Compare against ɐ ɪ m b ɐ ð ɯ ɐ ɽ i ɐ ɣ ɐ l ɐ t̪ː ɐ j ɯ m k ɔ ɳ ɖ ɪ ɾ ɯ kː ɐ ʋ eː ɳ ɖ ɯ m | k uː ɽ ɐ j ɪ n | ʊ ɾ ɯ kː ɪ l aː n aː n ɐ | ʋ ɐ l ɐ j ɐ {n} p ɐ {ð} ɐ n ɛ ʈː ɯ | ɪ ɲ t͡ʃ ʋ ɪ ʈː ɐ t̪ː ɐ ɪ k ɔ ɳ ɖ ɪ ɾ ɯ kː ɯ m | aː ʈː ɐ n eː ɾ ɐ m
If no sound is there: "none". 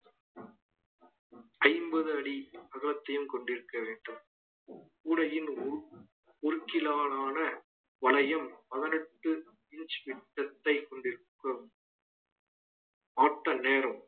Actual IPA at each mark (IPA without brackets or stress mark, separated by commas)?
m, ð